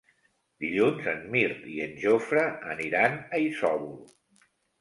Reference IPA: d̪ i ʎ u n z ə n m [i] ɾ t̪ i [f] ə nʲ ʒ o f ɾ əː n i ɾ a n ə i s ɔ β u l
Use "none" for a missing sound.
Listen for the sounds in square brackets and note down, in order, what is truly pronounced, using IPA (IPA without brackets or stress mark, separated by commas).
i, none